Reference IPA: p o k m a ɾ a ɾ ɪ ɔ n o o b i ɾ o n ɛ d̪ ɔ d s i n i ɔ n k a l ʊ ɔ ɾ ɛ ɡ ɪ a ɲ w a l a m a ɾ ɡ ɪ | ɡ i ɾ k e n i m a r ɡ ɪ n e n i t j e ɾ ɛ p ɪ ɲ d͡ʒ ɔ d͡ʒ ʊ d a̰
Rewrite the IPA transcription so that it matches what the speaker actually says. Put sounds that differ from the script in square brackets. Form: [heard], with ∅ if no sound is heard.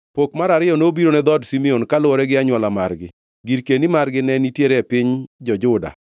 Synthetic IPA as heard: p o k m a ɾ a ɾ ɪ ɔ n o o b i ɾ o n ɛ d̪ ɔ d s i [m] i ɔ n k a l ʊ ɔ ɾ ɛ ɡ ɪ a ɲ w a l a m a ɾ ɡ ɪ | ɡ i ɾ k e n i m a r ɡ ɪ n [ɛ] n i t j e ɾ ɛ p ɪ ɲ d͡ʒ ɔ d͡ʒ ʊ d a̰

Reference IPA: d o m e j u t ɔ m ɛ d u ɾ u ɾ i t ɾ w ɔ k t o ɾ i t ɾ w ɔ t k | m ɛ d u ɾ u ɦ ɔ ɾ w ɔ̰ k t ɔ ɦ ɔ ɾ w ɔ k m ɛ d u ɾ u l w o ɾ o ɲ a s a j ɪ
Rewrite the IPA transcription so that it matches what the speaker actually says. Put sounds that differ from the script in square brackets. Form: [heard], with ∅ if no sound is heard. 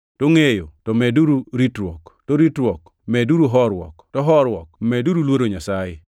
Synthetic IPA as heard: [t] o [ŋ] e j [o] t ɔ m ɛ d u ɾ u ɾ i t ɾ w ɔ k t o ɾ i t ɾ w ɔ [∅] k | m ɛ d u ɾ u ɦ ɔ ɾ w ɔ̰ k t ɔ ɦ ɔ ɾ w ɔ k m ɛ d u ɾ u l w o ɾ o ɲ a s a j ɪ

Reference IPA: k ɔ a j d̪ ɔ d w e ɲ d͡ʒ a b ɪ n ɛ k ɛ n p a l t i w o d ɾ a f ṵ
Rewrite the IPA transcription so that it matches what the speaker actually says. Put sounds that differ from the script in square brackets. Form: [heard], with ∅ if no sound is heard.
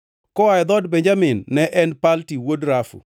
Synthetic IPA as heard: k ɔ a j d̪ ɔ d [b] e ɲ d͡ʒ a [m] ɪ [nː] ɛ [ʔ] ɛ n p a l t i w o d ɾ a f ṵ

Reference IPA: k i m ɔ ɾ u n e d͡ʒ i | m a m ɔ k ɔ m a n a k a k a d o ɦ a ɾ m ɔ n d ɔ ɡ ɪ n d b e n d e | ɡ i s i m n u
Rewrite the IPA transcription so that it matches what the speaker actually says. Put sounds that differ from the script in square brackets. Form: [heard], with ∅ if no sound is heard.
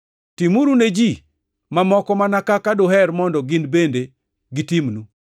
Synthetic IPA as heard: [t] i m [u] ɾ u n e d͡ʒ i | m a m ɔ k ɔ m a n a k a k a d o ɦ [ɛ] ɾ m ɔ n d ɔ ɡ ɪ n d b e n d e | ɡ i [t] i m n u

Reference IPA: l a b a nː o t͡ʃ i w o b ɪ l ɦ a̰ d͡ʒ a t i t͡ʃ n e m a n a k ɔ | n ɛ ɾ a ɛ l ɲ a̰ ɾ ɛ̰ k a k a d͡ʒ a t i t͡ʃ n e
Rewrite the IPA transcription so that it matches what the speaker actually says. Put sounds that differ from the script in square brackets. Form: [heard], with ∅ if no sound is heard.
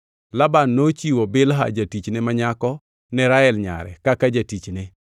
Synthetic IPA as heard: l a b a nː o t͡ʃ i w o b ɪ l ɦ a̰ d͡ʒ a t i t͡ʃ n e m a [ɲ] a k ɔ | n ɛ ɾ a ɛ l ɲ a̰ ɾ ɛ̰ k a k a d͡ʒ a t i t͡ʃ n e

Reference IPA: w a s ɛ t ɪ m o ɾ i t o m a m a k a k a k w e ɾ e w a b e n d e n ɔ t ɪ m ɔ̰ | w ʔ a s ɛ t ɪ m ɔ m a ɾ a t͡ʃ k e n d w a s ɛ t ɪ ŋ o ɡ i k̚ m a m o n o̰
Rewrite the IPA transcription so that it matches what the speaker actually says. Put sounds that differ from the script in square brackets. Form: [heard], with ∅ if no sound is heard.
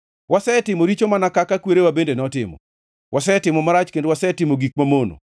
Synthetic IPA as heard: w a s ɛ t ɪ m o ɾ i [t͡ʃ] o m a [n] a k a k a k w e ɾ e w a b e n d e n ɔ t ɪ m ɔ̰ | w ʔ a s ɛ t ɪ m ɔ m a ɾ a t͡ʃ k e n d w a s ɛ t ɪ [m] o ɡ i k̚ m a m o n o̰

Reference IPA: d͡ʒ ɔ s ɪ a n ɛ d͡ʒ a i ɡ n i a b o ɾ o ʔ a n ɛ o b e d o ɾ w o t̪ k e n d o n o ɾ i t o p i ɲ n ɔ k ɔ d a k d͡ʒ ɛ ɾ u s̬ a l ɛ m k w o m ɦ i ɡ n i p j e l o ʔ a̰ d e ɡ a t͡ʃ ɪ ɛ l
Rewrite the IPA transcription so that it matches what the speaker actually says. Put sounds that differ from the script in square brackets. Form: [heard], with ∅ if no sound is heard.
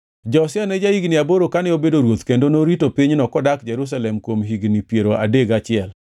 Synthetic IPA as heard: d͡ʒ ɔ s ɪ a n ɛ d͡ʒ a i ɡ n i a b o ɾ o [k] a n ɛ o b e d o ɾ w o t̪ k e n d o n o ɾ i t o p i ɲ n ɔ k ɔ d a k d͡ʒ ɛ ɾ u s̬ a l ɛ m k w o m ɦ i ɡ n i p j e [ɾ] o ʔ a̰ d e ɡ a t͡ʃ ɪ ɛ l

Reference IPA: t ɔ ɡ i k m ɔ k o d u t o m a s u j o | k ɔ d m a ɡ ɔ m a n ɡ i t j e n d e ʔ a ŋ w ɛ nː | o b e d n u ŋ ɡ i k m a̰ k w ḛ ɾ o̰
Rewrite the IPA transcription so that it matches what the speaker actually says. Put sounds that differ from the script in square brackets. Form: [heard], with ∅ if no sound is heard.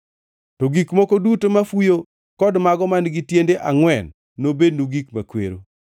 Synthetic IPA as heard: t ɔ ɡ i k m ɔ k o d u t o m a [f] u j o | k ɔ d m a ɡ ɔ m a n ɡ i t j e n d e ʔ a ŋ w ɛ nː | o b e d n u [∅] ɡ i k m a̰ k w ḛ ɾ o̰

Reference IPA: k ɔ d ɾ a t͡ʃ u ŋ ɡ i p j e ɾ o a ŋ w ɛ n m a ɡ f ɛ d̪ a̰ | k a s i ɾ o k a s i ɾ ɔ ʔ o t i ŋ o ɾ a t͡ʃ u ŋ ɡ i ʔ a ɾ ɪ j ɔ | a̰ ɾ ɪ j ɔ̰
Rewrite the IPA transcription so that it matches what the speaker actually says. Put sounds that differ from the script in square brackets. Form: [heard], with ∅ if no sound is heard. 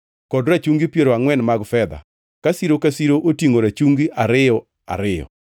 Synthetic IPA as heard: k ɔ d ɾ a t͡ʃ u ŋ ɡ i p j e ɾ o a ŋ w ɛ n m a ɡ f ɛ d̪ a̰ | k a s i ɾ o k a s i ɾ [o] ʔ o t i ŋ o ɾ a t͡ʃ u ŋ ɡ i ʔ a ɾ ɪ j ɔ | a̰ ɾ ɪ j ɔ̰

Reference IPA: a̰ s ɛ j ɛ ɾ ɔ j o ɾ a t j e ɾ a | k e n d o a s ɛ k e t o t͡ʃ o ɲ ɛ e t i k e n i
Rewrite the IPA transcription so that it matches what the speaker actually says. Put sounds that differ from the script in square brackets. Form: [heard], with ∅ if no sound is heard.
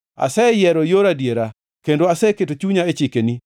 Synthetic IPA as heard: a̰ s ɛ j ɛ ɾ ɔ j o ɾ a [d] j e ɾ a | k e n d o a s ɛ k e t o t͡ʃ [u] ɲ [a] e [t͡ʃ] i k e n i

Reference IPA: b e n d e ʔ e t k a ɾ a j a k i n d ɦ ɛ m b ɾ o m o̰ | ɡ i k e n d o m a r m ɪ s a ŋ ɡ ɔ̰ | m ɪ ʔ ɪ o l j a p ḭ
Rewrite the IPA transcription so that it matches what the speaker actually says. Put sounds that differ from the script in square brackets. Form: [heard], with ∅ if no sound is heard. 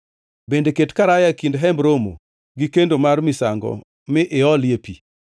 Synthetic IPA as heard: b e n d e [k] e t k a ɾ a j a k i n d ɦ ɛ m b ɾ o m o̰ | ɡ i k e n d o m a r m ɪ s a ŋ ɡ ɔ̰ | m ɪ ʔ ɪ [ɔ] l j [e] p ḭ

